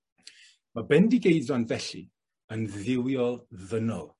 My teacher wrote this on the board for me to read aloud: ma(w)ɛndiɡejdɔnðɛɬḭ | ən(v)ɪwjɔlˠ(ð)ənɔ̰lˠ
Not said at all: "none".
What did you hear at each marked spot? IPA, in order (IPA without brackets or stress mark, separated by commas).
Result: b, ð, ð